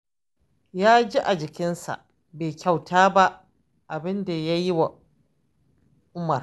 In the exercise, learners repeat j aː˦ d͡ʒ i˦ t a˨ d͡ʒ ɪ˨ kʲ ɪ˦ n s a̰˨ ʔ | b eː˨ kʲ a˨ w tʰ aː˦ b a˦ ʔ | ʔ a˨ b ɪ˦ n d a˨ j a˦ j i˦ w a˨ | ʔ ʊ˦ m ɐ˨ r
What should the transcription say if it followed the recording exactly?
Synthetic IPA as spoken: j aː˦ d͡ʒ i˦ ʔ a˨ d͡ʒ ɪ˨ kʲ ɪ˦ n s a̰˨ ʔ | b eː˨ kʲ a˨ w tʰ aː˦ b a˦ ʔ | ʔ a˨ b ɪ˦ n d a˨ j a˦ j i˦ w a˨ | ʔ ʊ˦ m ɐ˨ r